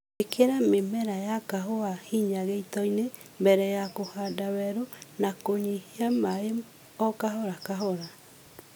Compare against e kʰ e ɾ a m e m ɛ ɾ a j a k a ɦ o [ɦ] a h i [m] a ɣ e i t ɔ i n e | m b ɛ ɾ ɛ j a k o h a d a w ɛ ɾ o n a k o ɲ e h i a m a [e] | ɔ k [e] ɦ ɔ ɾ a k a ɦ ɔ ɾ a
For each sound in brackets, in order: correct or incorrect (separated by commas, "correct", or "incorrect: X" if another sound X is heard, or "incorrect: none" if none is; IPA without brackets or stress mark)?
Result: incorrect: none, incorrect: ɲ, correct, incorrect: a